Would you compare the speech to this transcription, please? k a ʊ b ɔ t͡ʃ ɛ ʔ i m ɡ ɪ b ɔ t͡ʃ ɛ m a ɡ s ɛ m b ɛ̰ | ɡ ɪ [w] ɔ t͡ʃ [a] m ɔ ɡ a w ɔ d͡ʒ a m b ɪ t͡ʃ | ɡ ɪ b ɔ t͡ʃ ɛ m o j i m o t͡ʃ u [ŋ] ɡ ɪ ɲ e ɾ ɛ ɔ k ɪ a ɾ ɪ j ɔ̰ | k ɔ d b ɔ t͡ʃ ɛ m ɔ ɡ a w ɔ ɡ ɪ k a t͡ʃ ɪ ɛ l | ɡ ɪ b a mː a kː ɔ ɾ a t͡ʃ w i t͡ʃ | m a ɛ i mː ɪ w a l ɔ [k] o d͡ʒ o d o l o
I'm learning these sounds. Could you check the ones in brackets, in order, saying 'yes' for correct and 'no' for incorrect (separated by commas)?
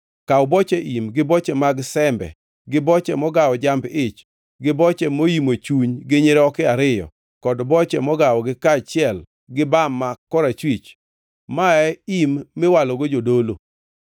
no, no, no, no